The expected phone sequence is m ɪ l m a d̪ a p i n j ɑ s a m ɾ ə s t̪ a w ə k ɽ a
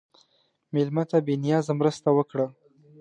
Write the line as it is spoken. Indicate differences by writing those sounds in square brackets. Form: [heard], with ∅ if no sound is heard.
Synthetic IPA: m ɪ l m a [t̪] a [b] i n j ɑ [z] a m ɾ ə s t̪ a w ə k ɽ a